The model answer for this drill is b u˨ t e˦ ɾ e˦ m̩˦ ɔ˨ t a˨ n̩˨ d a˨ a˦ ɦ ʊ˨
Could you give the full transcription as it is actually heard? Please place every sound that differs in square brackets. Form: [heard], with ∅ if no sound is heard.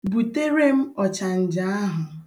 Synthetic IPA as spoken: b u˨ t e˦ ɾ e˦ m̩˦ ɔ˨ [t͡ʃ] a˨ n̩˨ [d͡ʒ] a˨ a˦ ɦ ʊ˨